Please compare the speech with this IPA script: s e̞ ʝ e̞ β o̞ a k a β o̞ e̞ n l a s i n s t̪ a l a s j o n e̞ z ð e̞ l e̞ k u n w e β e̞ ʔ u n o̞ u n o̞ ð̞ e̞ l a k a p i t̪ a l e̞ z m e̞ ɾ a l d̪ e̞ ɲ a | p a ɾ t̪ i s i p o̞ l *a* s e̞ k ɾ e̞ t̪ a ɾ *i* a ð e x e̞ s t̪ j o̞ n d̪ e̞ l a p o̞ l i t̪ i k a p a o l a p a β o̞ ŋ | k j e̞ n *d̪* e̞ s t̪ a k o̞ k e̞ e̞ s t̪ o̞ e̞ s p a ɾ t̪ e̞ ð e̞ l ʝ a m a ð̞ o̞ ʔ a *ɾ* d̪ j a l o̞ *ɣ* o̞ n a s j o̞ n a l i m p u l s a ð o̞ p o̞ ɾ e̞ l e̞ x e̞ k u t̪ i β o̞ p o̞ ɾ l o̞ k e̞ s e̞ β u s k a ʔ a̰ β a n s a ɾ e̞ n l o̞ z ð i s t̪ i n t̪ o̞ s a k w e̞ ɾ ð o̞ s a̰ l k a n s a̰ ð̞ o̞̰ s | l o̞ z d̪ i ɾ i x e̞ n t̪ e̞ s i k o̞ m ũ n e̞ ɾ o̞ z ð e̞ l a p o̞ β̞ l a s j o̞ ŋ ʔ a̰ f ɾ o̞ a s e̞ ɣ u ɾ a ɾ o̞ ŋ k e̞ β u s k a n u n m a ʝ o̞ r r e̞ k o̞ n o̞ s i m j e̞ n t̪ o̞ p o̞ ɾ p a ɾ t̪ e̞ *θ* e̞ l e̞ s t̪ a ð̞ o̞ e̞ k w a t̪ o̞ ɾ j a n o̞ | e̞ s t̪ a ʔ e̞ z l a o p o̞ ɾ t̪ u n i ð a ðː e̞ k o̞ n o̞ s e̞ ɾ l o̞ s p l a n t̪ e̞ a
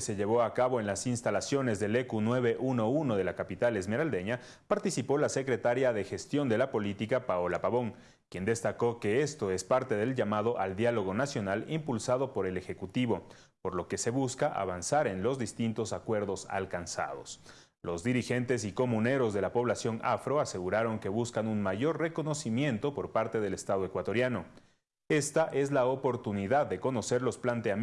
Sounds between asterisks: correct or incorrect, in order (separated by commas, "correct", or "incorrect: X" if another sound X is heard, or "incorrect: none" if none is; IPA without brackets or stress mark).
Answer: correct, incorrect: j, correct, incorrect: l, correct, incorrect: ð